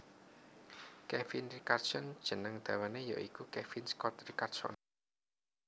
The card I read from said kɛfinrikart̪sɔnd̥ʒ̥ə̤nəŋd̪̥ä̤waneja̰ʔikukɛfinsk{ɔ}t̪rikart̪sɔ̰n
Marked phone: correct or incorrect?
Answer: correct